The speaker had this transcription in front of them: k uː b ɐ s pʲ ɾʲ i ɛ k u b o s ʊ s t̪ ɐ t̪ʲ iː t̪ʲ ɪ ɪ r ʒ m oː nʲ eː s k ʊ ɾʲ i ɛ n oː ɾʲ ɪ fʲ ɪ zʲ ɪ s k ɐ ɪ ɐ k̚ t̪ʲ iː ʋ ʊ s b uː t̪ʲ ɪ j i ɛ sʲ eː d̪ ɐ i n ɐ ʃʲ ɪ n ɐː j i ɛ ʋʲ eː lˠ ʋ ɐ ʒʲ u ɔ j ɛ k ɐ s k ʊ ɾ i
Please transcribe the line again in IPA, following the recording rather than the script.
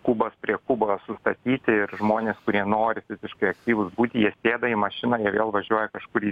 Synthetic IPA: k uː b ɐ s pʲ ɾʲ i ɛ k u b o s ʊ s t̪ ɐ t̪ʲ iː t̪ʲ ɪ ɪ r ʒ m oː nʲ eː s k ʊ ɾʲ i ɛ n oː ɾʲ ɪ fʲ ɪ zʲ ɪ ʃ k ɐ ɪ ɐ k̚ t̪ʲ iː ʋ ʊ s b uː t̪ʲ ɪ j i ɛ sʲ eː d̪ ɐ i m ɐ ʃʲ ɪ n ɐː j i ɛ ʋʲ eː lˠ ʋ ɐ ʒʲ u ɔ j ɛ k ɐ ʃ k ʊ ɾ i